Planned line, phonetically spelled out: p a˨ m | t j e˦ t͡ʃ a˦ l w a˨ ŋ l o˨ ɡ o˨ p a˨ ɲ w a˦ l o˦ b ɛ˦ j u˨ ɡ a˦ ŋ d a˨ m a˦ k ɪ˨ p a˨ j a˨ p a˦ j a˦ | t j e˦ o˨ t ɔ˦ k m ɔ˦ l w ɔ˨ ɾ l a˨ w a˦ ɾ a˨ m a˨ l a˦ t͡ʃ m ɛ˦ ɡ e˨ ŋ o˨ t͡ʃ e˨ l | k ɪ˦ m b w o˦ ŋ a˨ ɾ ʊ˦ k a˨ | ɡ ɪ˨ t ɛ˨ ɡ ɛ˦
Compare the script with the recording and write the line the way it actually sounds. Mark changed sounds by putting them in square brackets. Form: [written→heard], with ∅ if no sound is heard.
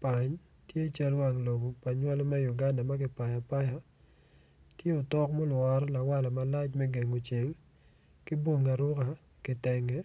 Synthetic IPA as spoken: p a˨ [m→ɲ] | t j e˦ t͡ʃ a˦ l w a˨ ŋ l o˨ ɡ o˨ p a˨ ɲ w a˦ l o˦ [b→m] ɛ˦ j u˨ ɡ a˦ [ŋ→n] d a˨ m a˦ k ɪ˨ p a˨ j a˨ p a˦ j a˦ | t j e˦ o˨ t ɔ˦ k m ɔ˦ l w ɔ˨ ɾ l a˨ w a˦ [ɾ→l] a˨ m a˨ l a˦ t͡ʃ m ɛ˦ ɡ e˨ ŋ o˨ t͡ʃ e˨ l | k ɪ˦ [m→∅] b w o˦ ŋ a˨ ɾ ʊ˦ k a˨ | [ɡ→k] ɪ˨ t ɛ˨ [ɡ→ŋ] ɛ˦